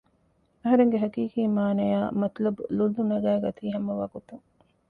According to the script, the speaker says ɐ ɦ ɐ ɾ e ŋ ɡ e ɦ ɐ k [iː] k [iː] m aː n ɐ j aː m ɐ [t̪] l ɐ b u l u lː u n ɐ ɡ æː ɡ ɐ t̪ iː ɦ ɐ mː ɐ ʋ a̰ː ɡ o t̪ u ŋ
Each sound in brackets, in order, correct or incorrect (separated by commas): correct, correct, correct